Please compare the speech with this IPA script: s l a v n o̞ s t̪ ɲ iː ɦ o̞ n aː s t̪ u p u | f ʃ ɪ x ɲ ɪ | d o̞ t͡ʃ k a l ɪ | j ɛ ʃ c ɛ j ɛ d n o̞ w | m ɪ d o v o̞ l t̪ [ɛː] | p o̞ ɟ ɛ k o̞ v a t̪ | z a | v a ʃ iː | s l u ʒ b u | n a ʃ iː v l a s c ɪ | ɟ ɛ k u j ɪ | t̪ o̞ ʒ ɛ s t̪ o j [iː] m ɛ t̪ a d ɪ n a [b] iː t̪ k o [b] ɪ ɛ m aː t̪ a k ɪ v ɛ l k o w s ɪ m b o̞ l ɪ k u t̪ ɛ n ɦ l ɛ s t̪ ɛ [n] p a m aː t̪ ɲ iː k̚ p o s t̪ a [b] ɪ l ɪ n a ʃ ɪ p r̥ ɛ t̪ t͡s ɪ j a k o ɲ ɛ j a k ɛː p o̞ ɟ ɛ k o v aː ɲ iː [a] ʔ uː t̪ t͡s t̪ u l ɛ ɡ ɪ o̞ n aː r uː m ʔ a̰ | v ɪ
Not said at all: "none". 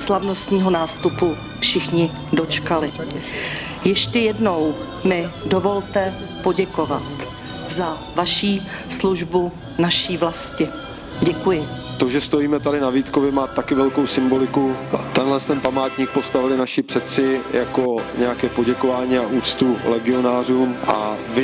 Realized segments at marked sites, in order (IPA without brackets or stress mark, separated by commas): ɛ, iː, v, v, n, v, a